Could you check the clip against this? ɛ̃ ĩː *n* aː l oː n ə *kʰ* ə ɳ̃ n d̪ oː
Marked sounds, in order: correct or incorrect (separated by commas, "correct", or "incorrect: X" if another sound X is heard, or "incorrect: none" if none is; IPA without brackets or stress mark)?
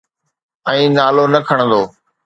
correct, correct